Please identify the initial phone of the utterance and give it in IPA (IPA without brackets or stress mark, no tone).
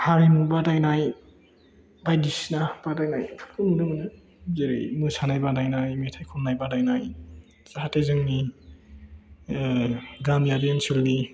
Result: h